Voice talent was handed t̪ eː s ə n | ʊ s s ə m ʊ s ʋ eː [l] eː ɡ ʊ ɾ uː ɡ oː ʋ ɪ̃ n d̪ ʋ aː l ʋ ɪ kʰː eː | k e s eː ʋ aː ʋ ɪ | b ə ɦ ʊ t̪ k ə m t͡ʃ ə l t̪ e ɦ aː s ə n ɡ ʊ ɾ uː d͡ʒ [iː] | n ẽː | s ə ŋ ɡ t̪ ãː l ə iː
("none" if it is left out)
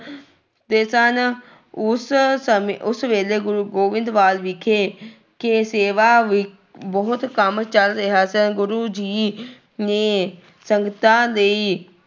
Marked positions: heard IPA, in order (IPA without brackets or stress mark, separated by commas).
l, iː